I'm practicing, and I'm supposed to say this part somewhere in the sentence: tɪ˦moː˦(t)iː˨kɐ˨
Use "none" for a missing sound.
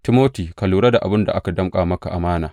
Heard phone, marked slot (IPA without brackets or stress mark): t